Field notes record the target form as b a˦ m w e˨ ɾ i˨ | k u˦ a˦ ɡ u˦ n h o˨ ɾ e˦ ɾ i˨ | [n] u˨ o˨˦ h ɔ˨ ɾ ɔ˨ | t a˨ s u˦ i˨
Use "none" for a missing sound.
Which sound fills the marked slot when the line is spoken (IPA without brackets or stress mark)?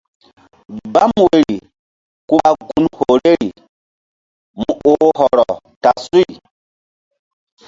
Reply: m